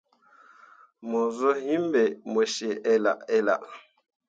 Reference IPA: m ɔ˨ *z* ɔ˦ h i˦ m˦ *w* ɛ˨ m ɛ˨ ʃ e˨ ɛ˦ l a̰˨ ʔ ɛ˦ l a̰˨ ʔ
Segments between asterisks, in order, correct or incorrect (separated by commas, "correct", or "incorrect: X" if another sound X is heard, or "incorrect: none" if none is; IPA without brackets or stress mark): correct, incorrect: b